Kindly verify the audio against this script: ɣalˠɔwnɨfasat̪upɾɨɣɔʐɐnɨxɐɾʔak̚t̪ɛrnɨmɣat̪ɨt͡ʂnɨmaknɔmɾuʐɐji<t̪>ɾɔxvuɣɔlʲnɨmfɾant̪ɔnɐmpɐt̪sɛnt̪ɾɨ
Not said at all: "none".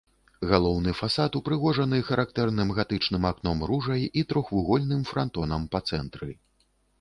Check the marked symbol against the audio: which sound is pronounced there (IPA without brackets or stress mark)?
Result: t̪